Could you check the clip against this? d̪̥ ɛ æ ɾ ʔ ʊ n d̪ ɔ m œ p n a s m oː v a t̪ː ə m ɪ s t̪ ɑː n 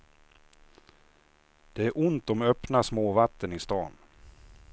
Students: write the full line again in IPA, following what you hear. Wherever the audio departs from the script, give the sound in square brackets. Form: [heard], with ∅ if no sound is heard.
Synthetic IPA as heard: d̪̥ ɛ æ ɾ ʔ ʊ n [t̪] ɔ m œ p n a s m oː v a t̪ː ə [n] ɪ s t̪ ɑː n